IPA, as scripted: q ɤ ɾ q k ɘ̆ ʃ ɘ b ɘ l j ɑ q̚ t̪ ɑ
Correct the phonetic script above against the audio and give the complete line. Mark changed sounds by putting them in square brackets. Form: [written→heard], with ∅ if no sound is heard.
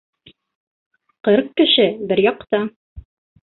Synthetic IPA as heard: q ɤ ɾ q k ɘ̆ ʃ ɘ b ɘ [l→ɾ] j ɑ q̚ t̪ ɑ

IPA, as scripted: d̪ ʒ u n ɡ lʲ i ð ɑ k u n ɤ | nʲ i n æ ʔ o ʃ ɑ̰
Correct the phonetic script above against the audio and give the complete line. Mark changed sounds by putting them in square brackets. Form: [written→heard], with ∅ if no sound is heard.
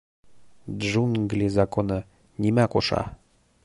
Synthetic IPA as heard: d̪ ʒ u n ɡ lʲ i [ð→z] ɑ k [u→o] n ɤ | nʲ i [n→m] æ [ʔ→k] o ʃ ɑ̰

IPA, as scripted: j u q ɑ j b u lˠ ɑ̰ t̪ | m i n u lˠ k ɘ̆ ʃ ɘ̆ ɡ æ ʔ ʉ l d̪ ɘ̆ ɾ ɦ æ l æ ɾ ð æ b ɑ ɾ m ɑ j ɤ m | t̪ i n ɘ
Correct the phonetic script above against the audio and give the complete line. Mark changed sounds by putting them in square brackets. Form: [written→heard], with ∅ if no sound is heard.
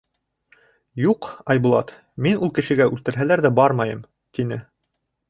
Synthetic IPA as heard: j u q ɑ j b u lˠ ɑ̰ t̪ | m i n u lˠ k ɘ̆ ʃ ɘ̆ ɡ æ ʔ ʉ l [d̪→t̪] ɘ̆ ɾ ɦ æ l æ ɾ ð æ b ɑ ɾ m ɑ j ɤ m | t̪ i n ɘ

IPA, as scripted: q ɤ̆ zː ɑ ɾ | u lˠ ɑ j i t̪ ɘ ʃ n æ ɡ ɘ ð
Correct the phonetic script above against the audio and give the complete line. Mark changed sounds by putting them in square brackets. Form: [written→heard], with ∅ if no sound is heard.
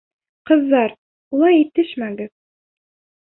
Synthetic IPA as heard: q ɤ̆ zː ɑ ɾ | u lˠ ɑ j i t̪ ɘ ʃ [n→m] æ ɡ ɘ ð

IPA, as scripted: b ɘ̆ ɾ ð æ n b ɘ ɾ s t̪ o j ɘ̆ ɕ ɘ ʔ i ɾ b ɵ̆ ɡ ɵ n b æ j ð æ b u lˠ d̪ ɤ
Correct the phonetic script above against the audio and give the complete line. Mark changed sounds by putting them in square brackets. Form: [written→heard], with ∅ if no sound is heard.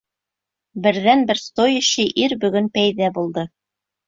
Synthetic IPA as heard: b ɘ̆ ɾ ð æ n b ɘ ɾ s t̪ o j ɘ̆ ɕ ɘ ʔ i ɾ b ɵ̆ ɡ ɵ n [b→p] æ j ð æ b u lˠ d̪ ɤ

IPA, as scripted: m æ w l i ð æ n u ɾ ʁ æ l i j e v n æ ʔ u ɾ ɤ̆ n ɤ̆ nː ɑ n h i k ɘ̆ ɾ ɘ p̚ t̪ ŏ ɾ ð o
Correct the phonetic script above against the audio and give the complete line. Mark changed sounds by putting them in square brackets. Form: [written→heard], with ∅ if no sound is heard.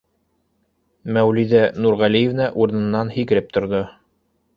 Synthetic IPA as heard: m æ w l i ð æ n u ɾ ʁ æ l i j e v n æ ʔ u ɾ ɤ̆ n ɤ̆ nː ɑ n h i k ɘ̆ ɾ ɘ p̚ t̪ ŏ ɾ ð o

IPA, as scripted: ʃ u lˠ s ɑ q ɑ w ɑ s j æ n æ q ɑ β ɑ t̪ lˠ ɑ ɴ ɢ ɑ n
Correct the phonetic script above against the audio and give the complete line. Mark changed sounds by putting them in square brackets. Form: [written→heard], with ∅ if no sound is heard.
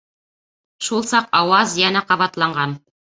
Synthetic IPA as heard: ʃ u lˠ s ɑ q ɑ w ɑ [s→z] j æ n æ q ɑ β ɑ t̪ lˠ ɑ ɴ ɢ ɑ n

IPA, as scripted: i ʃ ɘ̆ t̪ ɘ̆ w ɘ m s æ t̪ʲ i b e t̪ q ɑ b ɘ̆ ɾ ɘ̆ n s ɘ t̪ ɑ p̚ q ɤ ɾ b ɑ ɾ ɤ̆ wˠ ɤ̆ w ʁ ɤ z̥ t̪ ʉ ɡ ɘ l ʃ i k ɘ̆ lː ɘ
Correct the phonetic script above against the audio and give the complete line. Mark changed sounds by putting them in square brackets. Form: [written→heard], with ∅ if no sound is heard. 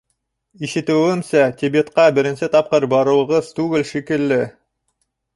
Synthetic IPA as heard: i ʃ ɘ̆ t̪ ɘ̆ w ɘ m s æ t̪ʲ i b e t̪ q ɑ b ɘ̆ ɾ ɘ̆ n s ɘ t̪ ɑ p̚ q ɤ ɾ b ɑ ɾ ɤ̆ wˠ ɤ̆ [w→∅] ʁ ɤ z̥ t̪ ʉ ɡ ɘ l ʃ i k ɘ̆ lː ɘ

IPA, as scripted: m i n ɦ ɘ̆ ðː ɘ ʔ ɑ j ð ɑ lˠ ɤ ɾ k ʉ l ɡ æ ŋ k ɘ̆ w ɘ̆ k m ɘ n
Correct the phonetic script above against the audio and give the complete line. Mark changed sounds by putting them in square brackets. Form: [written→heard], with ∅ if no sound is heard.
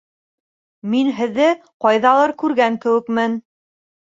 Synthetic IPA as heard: m i n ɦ ɘ̆ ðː ɘ [ʔ→q] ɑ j ð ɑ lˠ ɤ ɾ k ʉ [l→ɾ] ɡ æ ŋ k ɘ̆ w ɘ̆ k m ɘ n

